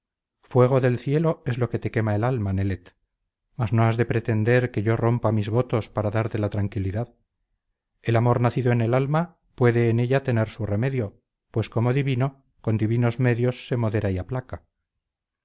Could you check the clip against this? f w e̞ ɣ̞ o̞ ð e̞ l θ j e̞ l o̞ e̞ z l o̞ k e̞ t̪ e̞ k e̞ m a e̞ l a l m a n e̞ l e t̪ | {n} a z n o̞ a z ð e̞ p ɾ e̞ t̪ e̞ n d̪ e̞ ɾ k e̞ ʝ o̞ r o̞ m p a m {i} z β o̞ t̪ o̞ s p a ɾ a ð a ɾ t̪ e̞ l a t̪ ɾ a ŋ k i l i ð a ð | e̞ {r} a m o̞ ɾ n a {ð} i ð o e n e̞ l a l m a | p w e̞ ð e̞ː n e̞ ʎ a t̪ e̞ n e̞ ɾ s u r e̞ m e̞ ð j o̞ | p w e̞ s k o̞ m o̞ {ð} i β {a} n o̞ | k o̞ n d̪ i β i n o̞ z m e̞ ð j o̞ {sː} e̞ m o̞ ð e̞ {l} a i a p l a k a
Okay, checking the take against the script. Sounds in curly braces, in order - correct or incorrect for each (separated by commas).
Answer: incorrect, correct, incorrect, incorrect, correct, incorrect, correct, incorrect